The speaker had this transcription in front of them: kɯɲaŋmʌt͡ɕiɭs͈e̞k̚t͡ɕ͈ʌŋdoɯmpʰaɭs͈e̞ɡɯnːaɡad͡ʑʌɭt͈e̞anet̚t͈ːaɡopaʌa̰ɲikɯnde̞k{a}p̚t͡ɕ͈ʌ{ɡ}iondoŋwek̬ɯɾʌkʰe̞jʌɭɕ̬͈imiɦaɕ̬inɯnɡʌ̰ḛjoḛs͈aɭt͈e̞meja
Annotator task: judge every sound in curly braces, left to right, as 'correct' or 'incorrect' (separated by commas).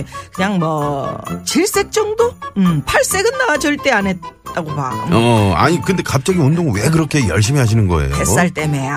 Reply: correct, correct